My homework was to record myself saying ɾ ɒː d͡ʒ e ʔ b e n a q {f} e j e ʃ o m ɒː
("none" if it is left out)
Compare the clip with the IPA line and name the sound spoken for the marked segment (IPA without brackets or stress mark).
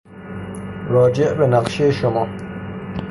ʃ